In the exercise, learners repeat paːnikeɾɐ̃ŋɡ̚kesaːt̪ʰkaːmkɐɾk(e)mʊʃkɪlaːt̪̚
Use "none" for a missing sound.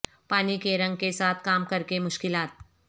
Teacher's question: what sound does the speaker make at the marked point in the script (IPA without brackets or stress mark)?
e